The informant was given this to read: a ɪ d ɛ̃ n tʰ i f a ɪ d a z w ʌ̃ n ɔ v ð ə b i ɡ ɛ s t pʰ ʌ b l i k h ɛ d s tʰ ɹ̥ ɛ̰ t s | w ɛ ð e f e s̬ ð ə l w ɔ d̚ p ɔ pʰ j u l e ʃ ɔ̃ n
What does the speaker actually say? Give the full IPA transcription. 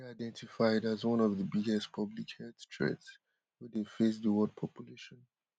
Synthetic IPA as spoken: a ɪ d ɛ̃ n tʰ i f a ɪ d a z w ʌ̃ n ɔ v ð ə b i ɡ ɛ s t pʰ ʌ b l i k h ɛ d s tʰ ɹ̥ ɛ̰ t s | w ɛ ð e f e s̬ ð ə w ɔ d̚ pʰ ɔ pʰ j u l e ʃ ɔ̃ n